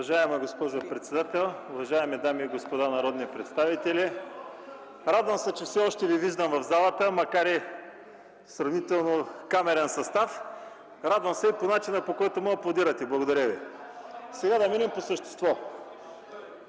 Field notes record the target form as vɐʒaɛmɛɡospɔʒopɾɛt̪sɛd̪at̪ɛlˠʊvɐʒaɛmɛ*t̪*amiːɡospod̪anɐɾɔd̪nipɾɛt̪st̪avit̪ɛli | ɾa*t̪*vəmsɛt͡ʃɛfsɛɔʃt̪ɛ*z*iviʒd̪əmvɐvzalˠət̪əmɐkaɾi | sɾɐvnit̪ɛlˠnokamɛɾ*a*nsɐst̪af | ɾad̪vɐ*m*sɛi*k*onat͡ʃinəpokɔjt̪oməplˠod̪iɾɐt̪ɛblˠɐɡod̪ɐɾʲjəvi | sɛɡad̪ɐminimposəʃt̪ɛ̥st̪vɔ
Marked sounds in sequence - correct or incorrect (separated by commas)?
incorrect, incorrect, incorrect, incorrect, correct, incorrect